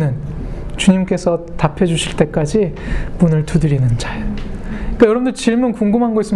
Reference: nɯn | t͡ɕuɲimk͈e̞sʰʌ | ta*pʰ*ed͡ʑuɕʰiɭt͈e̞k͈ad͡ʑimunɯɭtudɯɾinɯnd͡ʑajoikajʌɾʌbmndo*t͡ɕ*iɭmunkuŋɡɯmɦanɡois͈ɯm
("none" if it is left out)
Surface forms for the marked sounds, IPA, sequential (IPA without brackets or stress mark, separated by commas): pʰ, t͡ɕ